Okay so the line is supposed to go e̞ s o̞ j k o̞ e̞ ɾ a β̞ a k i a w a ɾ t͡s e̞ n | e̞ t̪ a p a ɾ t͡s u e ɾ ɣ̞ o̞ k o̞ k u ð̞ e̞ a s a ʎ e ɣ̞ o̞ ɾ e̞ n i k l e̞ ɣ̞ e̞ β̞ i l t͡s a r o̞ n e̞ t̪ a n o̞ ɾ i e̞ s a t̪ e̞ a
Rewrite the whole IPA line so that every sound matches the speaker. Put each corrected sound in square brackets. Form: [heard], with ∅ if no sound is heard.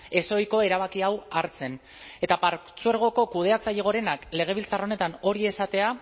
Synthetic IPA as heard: e̞ s o̞ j k o̞ e̞ ɾ a β̞ a k i a w a ɾ t͡s e̞ n | e̞ t̪ a p a ɾ t͡s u e ɾ ɣ̞ o̞ k o̞ k u ð̞ e̞ a [t͡s] a ʎ e ɣ̞ o̞ ɾ e̞ n [a] k l e̞ ɣ̞ e̞ β̞ i l t͡s a r o̞ n e̞ t̪ a n o̞ ɾ i e̞ s a t̪ e̞ a